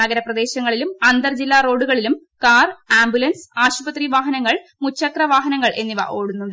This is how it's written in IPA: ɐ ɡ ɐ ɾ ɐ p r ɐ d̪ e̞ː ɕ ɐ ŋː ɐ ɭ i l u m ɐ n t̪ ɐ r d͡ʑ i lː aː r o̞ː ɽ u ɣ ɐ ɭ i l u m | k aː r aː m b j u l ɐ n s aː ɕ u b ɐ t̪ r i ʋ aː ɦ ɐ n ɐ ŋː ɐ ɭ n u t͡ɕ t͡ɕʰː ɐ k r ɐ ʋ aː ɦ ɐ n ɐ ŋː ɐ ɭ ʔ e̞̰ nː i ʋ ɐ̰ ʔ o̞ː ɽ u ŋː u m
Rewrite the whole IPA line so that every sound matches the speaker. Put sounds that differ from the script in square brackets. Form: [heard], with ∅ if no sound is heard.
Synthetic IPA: ɐ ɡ ɐ ɾ ɐ p r ɐ d̪ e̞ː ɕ ɐ ŋː ɐ ɭ i l u m ɐ n [d̪] ɐ r d͡ʑ i lː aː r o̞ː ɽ u ɣ ɐ ɭ i l u m | k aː r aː m b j u l ɐ n s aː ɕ u b ɐ t̪ r i ʋ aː ɦ ɐ n ɐ ŋː ɐ ɭ [m] u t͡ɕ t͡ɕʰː ɐ k r ɐ ʋ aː ɦ ɐ n ɐ ŋː ɐ ɭ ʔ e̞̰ nː i ʋ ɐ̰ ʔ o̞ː ɽ u [nː] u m